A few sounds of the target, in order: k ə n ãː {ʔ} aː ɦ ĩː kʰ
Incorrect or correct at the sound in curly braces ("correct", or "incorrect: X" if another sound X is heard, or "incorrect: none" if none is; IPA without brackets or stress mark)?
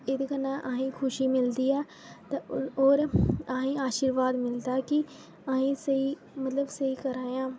correct